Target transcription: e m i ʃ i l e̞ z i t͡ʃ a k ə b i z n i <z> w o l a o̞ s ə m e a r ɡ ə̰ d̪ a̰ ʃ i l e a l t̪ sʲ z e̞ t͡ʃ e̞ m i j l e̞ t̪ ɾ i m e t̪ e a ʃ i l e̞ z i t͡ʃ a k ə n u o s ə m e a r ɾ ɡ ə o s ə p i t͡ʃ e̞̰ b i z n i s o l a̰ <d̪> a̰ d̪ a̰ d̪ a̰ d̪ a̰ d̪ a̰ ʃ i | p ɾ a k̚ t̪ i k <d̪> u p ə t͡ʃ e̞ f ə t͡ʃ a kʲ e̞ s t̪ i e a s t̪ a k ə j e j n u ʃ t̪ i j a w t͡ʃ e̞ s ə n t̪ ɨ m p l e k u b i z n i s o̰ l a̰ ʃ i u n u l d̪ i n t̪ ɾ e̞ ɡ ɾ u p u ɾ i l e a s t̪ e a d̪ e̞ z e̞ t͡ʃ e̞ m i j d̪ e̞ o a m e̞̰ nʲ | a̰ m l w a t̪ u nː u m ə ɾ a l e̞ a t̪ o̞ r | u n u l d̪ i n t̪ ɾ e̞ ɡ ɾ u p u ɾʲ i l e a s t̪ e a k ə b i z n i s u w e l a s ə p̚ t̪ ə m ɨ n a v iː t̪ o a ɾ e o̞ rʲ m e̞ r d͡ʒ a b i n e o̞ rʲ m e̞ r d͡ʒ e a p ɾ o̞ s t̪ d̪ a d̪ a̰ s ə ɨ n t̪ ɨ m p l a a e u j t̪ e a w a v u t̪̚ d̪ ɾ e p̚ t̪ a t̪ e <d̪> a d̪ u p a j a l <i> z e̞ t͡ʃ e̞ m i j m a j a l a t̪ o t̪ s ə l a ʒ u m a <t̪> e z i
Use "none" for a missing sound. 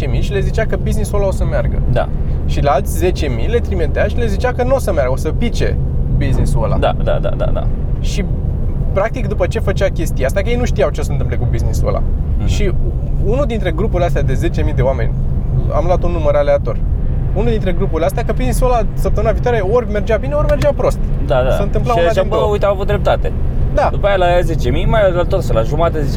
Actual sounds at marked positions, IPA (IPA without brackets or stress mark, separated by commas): s, d̪, d̪, d̪, a, t̪